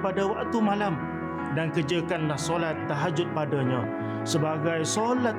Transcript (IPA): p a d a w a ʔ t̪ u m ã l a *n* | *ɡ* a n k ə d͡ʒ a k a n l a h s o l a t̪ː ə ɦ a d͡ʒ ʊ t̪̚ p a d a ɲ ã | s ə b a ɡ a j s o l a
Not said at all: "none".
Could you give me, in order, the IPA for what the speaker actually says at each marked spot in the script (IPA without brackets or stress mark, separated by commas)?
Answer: m, d